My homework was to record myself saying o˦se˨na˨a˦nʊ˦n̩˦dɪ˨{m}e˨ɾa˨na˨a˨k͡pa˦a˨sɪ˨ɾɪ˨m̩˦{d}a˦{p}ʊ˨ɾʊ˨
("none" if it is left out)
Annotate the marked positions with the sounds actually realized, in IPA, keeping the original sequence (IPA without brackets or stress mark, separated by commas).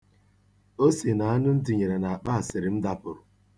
ɲ, d, p